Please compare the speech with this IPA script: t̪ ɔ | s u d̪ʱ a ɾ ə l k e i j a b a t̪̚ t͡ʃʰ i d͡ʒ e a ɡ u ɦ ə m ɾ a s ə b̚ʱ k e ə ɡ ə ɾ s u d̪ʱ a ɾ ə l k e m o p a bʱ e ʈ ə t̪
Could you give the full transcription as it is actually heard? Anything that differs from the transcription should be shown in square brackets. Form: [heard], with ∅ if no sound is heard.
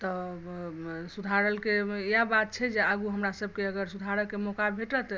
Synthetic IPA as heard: t̪ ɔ | s u d̪ʱ a ɾ ə l k e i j a b a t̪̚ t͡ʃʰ [ɛ] d͡ʒ e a ɡ u ɦ ə m ɾ a s ə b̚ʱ k e ə ɡ ə ɾ s u d̪ʱ a ɾ ə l k e m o [k] a bʱ e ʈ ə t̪